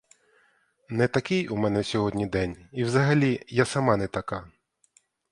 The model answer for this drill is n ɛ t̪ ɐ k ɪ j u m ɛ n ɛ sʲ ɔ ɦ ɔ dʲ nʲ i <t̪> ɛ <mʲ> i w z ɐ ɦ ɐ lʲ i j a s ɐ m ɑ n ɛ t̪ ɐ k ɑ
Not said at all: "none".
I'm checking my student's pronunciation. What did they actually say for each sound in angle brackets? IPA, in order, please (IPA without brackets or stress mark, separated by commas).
d̪, nʲ